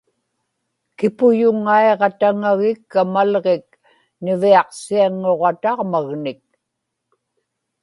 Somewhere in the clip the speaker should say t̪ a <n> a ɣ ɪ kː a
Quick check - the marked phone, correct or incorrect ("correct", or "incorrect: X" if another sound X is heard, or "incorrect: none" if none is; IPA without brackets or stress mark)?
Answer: incorrect: ŋ